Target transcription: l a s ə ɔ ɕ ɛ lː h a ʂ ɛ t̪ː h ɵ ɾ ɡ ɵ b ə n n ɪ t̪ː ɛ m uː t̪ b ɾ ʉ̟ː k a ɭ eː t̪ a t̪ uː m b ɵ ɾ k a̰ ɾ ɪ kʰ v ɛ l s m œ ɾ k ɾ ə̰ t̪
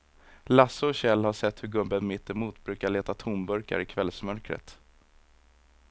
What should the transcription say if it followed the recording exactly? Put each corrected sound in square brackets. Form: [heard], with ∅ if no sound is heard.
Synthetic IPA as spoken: l a s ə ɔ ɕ ɛ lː h a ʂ ɛ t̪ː h ɵ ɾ ɡ ɵ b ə n [m] ɪ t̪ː ɛ m uː t̪ b ɾ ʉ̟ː k a ɭ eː t̪ a [t̪ʰ] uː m b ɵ ɾ k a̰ ɾ ɪ kʰ v ɛ l s m œ ɾ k ɾ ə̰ t̪